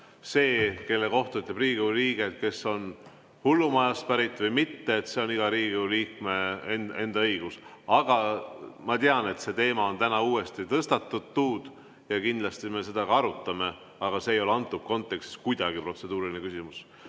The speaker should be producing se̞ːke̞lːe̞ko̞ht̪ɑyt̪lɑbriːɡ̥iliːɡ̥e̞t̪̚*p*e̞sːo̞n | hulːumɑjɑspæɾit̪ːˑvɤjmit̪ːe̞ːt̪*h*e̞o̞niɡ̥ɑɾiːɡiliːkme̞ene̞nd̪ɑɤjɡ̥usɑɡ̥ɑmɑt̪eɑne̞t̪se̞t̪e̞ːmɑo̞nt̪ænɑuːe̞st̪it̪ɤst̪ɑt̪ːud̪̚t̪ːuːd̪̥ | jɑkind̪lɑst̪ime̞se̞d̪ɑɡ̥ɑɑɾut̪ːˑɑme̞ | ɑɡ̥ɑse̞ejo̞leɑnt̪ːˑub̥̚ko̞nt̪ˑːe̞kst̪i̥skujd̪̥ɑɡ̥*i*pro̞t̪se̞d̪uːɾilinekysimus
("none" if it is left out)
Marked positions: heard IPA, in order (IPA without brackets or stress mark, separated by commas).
k, s, i